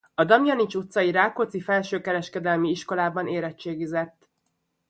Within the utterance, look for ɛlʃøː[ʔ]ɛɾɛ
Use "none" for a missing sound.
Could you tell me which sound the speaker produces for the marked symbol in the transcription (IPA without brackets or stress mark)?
k